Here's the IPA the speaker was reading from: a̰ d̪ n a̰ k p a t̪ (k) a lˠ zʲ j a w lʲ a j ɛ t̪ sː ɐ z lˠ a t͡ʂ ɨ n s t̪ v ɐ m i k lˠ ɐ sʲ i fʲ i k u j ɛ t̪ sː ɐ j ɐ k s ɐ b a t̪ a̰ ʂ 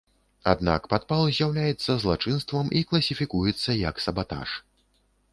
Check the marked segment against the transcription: incorrect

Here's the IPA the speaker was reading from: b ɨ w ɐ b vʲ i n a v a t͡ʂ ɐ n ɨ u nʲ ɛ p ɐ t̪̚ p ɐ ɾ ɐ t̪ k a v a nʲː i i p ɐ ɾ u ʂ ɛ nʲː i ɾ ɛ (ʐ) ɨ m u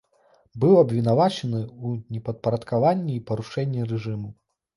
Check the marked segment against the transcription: correct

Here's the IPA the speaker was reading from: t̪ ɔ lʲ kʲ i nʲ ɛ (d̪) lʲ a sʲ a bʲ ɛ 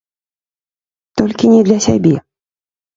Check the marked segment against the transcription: correct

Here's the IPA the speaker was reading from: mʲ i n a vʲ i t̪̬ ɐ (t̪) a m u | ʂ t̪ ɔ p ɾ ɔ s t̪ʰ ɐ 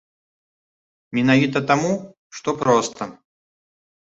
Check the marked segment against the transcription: correct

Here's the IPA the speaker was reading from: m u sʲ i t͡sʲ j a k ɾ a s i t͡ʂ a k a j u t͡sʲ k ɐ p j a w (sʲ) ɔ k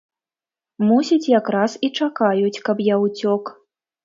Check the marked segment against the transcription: incorrect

